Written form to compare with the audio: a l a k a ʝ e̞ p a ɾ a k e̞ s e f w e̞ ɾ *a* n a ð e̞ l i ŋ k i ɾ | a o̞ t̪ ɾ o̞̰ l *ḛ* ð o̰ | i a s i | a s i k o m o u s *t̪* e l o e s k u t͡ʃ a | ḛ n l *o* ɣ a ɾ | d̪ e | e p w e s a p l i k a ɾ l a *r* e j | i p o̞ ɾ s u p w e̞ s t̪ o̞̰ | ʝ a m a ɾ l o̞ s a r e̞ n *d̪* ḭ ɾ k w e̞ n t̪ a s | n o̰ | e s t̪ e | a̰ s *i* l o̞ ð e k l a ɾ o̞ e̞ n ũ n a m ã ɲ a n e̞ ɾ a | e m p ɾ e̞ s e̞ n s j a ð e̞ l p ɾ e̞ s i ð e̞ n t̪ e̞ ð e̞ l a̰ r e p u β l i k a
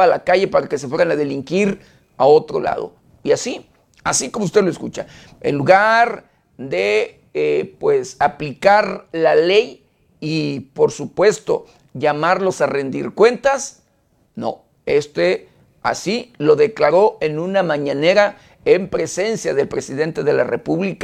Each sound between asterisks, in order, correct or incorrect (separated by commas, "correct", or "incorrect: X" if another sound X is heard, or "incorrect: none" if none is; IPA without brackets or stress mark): correct, incorrect: a̰, correct, incorrect: u, incorrect: l, correct, correct